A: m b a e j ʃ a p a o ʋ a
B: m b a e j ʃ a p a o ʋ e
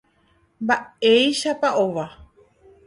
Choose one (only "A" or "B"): A